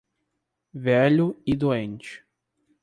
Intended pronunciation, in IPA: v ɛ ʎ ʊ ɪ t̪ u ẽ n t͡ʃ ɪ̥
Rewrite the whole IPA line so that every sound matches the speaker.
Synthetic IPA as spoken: v ɛ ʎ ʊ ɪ d̪ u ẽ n t͡ʃ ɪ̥